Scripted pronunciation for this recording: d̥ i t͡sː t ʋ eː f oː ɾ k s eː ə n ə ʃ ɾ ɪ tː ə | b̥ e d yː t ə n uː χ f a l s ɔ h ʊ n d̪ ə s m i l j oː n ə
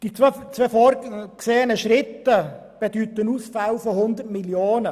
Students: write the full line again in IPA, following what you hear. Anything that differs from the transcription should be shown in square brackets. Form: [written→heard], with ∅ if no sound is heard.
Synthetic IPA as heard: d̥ i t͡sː [t→t͡s] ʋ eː f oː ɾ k s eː ə n ə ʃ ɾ ɪ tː ə | b̥ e d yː t ə n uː [χ→s] f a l [s→f] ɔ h ʊ n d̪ ə [s→t] m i l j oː n ə